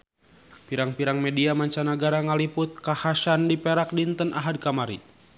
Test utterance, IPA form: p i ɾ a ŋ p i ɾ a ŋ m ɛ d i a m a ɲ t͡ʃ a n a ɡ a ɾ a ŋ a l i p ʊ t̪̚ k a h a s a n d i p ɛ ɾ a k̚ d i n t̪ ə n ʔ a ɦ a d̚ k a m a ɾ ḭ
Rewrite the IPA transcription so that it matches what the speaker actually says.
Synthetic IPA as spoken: p i ɾ a ŋ p i ɾ a ŋ m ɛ d i a m a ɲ t͡ʃ a n a ɡ a ɾ a ŋ a l i p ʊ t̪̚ k a h a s a n d i p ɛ ɾ a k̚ d i n t̪ ə n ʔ a ɦ a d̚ k a m a ɾ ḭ